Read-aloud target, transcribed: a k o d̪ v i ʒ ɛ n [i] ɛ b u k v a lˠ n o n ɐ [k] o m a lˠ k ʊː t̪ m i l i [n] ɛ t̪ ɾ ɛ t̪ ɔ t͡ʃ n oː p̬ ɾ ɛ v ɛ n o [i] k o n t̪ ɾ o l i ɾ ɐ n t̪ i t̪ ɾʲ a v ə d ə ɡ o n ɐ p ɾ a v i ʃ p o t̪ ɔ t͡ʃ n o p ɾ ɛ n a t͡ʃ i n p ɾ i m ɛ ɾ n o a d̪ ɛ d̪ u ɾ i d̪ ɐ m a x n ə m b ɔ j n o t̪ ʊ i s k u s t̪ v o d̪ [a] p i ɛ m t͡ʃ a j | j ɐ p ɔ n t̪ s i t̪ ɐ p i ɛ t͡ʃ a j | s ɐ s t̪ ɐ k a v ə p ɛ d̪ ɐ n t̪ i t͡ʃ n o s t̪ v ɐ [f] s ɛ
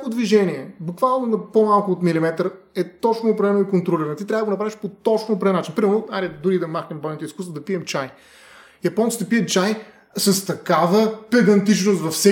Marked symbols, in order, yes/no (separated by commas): yes, no, no, yes, no, yes